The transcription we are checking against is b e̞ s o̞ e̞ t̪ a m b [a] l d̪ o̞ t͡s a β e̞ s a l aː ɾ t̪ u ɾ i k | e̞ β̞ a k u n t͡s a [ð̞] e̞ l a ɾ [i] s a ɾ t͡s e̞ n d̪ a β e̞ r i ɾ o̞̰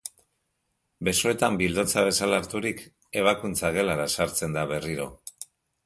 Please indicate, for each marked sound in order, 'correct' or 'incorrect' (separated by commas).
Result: incorrect, incorrect, incorrect